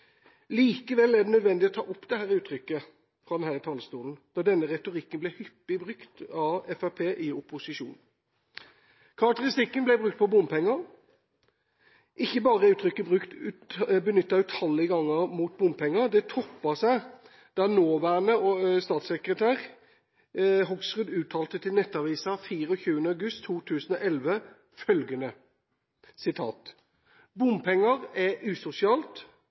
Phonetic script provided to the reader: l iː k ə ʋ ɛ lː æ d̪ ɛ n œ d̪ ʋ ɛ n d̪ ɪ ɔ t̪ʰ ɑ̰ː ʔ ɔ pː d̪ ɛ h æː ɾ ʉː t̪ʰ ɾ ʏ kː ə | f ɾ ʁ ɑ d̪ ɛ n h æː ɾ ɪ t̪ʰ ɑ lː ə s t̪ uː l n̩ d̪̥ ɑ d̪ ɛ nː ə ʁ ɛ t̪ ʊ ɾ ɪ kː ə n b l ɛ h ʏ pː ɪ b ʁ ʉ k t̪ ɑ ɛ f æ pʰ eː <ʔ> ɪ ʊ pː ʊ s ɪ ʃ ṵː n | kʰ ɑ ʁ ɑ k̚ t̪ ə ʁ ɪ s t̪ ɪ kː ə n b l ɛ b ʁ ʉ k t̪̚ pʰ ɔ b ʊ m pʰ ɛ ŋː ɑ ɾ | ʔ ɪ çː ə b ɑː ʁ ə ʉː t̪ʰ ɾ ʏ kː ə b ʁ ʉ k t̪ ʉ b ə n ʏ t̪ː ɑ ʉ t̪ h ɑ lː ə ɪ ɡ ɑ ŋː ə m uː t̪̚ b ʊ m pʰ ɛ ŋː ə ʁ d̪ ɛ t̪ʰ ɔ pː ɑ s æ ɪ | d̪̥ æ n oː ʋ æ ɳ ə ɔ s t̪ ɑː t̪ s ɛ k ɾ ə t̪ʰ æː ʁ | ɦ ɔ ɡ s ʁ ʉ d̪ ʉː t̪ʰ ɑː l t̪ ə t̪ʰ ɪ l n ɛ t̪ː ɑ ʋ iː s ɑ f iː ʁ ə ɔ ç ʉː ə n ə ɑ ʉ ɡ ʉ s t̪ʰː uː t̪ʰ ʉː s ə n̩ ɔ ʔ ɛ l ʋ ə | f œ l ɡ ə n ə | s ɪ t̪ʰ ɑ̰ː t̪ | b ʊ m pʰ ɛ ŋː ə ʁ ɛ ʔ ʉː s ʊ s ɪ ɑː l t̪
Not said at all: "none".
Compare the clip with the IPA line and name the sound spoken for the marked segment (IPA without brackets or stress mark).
ʔ